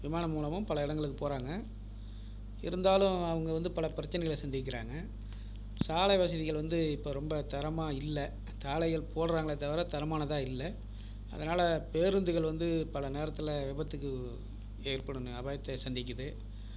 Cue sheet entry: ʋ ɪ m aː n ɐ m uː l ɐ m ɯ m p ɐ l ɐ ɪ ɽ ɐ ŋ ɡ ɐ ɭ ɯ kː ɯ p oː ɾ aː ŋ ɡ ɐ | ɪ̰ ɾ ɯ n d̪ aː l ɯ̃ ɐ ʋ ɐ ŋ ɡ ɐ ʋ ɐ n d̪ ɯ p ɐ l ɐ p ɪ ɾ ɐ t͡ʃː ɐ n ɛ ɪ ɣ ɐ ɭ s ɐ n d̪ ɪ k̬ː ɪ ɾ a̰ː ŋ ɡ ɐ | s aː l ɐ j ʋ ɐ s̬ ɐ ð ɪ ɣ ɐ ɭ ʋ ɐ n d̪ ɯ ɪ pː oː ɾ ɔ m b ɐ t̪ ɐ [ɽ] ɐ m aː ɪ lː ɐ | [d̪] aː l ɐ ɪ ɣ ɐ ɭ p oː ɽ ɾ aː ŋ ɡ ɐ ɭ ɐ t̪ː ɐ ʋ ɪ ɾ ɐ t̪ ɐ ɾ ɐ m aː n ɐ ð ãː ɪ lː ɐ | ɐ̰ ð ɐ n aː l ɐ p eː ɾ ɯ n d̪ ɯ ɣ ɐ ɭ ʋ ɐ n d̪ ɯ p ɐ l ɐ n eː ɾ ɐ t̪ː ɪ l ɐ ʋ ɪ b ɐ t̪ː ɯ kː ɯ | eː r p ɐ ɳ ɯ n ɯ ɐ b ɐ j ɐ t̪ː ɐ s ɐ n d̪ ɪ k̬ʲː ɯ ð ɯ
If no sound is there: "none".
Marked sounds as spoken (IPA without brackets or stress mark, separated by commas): ɾ, t̪